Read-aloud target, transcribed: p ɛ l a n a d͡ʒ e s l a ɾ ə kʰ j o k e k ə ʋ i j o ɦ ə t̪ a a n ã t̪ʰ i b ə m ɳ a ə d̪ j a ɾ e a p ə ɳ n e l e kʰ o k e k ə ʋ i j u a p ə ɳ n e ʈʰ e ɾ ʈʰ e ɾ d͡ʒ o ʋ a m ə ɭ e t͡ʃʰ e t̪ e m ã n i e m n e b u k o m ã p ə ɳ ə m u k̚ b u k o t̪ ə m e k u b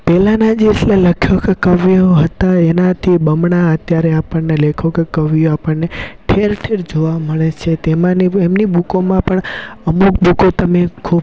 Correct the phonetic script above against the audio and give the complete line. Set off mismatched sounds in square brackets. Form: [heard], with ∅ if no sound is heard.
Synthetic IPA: p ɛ l a n a d͡ʒ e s l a [l] ə kʰ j o k e k ə ʋ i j o ɦ ə t̪ a [e] n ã t̪ʰ i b ə m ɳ a ə [t̪] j a ɾ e a p ə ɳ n e l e kʰ o k e k ə ʋ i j [o] a p ə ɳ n e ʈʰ e ɾ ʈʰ e ɾ d͡ʒ o ʋ a m ə ɭ e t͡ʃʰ e t̪ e m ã n i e m n [i] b u k o m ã p ə ɳ ə m u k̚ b u k o t̪ ə m e [kʰ] u b